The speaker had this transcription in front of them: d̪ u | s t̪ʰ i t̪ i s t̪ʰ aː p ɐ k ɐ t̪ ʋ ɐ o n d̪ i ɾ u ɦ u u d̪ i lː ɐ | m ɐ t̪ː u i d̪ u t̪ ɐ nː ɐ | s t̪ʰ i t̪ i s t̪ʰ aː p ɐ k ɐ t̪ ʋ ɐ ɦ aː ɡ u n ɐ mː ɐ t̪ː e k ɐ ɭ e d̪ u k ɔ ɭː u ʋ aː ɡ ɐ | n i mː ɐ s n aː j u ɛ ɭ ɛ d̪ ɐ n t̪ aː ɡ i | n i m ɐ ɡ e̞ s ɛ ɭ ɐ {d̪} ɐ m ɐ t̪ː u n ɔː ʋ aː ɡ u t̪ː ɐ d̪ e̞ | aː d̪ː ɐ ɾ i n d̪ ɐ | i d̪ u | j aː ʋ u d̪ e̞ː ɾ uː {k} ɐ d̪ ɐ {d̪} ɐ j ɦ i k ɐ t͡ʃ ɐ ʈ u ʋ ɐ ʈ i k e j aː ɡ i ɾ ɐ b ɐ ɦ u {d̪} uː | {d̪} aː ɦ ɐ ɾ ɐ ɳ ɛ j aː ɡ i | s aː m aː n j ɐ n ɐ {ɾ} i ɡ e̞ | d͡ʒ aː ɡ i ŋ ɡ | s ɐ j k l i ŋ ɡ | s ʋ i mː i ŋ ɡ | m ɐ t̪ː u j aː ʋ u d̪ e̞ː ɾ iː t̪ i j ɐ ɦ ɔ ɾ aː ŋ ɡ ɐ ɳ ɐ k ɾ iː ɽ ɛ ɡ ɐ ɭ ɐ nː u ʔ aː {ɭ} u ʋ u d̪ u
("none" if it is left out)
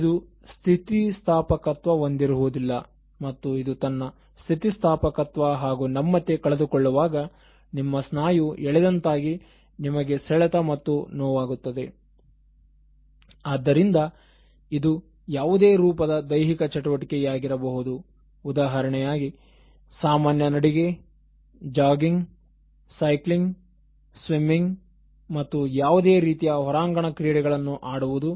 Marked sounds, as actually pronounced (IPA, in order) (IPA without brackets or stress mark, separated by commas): t̪, p, d̪, d̪, d̪, ɽ, ɽ